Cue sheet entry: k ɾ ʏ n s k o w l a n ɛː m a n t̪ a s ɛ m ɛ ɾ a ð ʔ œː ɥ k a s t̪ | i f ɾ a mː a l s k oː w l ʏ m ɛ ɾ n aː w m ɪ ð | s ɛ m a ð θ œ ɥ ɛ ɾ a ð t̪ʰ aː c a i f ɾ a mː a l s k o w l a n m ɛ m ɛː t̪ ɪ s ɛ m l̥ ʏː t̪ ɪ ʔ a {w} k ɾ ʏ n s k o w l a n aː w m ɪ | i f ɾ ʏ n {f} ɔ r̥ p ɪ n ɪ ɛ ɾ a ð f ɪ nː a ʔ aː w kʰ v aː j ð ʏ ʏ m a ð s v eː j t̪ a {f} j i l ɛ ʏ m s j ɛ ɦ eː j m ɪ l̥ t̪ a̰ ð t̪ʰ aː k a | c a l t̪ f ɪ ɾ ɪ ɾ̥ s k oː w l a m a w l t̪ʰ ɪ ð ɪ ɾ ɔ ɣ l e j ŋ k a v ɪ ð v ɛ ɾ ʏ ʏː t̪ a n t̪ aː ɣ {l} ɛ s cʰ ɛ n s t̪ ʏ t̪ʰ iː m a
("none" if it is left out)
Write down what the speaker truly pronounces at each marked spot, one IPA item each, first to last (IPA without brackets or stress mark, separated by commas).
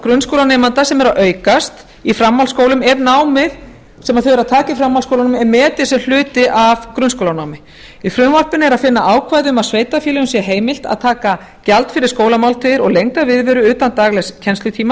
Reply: v, v, f, l